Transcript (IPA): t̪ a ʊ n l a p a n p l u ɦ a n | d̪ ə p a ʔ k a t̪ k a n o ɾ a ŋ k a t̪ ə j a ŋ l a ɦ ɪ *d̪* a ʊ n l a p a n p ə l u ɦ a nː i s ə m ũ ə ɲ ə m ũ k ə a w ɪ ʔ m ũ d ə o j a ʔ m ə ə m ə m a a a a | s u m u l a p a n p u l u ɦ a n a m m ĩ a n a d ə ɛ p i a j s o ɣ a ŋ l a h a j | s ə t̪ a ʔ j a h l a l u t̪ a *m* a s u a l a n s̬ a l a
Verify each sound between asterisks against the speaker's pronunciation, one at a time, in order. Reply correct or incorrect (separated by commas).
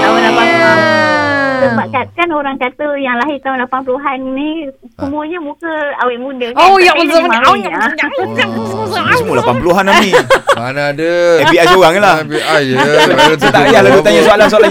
incorrect, incorrect